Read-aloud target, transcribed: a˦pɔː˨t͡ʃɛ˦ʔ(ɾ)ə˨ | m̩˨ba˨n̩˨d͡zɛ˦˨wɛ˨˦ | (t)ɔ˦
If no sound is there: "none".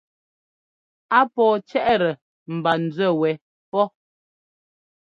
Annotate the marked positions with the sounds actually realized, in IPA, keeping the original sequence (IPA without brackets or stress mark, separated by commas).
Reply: ɾ, p